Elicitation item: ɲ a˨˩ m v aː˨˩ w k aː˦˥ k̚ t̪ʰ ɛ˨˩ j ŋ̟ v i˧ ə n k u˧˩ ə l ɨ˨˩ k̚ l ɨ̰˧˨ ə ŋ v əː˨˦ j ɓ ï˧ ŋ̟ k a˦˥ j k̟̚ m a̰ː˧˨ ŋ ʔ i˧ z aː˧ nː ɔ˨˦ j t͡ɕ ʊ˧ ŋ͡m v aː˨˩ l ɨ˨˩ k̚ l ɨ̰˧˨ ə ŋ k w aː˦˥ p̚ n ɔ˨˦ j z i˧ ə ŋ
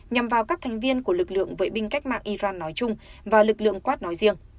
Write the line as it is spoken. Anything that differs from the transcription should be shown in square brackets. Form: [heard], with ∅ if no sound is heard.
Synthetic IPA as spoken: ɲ a˨˩ m v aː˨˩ w k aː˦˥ k̚ t̪ʰ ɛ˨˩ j ŋ̟ v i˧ ə n k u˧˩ ə l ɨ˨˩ k̚ l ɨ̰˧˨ ə ŋ v əː˨˦ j ɓ ï˧ ŋ̟ k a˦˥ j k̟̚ m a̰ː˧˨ ŋ ʔ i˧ z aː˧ nː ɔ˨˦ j t͡ɕ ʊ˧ ŋ͡m v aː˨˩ l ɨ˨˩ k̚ l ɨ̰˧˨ ə ŋ k w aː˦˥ [t̚] n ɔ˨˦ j z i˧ ə ŋ

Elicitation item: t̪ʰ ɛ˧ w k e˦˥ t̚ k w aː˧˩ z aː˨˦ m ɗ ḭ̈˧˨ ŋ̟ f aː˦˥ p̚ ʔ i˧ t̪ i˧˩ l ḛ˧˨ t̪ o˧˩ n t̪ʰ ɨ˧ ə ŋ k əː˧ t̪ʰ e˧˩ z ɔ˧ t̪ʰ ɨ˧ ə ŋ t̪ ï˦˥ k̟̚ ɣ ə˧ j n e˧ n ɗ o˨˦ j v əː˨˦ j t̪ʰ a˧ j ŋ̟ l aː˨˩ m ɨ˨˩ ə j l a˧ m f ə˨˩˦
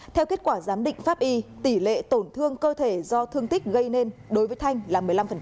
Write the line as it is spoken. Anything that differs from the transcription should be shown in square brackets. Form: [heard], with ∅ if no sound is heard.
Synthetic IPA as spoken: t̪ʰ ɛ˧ w k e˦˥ t̚ k w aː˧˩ z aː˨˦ m ɗ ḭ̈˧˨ ŋ̟ f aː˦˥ p̚ ʔ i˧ t̪ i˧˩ l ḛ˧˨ t̪ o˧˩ n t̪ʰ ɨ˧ ə ŋ k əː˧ t̪ʰ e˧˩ z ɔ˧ t̪ʰ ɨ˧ ə ŋ t̪ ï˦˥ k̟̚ ɣ ə˧ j n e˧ n ɗ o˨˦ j v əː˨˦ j t̪ʰ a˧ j ŋ̟ l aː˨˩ m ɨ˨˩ ə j l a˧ m f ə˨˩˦

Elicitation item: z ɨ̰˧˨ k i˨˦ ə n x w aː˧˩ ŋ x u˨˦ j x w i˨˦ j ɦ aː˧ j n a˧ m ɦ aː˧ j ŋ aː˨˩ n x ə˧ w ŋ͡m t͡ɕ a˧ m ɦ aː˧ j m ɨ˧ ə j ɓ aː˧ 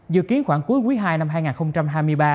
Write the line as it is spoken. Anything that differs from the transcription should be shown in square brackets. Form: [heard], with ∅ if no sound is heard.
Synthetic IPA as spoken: z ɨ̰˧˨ k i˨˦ ə n x w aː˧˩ ŋ [k] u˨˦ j [k] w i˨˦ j ɦ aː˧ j n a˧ m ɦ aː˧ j ŋ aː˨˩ n x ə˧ w ŋ͡m t͡ɕ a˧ m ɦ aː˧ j m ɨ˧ ə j ɓ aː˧

